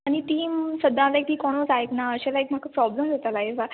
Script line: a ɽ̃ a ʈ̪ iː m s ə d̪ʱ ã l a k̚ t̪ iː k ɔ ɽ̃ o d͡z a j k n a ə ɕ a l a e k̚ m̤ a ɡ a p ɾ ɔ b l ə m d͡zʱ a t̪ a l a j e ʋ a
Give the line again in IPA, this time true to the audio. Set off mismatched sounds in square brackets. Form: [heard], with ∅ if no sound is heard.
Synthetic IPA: a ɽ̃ [i] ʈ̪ iː m s ə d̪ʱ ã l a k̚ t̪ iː k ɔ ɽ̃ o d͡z a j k n a ə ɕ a l a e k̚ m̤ a [k] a p ɾ ɔ b l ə m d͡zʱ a t̪ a l a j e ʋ a